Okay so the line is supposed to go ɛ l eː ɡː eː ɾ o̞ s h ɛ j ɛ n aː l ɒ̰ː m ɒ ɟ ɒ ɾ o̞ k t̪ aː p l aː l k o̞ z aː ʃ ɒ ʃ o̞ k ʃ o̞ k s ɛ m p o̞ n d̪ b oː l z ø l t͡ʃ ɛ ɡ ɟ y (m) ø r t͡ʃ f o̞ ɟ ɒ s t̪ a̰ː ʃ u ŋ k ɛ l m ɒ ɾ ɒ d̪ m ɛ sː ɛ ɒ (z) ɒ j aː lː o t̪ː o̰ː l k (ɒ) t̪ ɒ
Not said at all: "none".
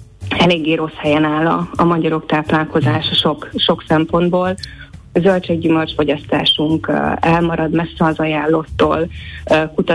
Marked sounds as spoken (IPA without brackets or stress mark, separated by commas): m, z, u